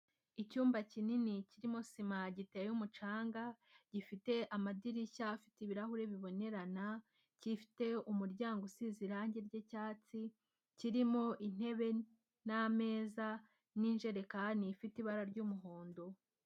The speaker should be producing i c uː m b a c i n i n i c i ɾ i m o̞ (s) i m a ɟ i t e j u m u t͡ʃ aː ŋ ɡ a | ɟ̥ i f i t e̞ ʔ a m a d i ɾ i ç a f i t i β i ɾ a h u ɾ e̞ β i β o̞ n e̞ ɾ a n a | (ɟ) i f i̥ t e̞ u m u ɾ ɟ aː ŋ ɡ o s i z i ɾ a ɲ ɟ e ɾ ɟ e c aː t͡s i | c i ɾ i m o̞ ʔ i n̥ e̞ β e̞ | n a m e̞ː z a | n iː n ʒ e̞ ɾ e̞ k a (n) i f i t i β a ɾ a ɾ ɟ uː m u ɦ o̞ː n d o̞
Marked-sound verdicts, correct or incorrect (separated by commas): correct, incorrect, correct